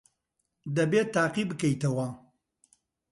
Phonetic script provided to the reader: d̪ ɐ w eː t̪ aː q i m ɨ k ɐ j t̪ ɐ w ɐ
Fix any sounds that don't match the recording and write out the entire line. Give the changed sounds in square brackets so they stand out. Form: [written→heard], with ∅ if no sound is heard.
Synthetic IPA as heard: d̪ ɐ [w→b] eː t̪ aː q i [m→b] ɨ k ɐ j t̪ ɐ w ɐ